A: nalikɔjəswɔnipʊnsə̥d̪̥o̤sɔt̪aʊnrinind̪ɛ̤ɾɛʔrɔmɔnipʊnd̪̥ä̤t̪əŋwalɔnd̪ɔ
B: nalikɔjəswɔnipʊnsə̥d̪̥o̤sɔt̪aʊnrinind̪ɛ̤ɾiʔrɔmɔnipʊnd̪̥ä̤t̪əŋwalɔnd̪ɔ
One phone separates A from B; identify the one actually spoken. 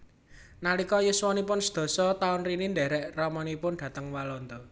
A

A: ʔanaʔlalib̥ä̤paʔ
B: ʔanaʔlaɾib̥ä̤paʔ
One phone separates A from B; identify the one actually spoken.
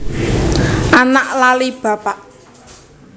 A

